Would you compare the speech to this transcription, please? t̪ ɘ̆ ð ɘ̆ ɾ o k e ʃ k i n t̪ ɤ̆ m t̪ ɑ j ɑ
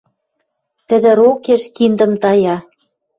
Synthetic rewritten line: t̪ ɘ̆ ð ɘ̆ ɾ o k e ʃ k i n d̪ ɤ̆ m t̪ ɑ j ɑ